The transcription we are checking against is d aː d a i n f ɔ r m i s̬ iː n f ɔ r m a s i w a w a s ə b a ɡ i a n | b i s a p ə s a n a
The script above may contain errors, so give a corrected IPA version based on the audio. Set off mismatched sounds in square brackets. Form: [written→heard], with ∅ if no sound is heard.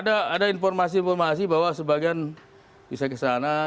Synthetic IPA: d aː d a i n f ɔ r m [i→a] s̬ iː n f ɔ r m a s i [w→b] a w a s ə b a ɡ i a n | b i s a [p→k] ə s a n a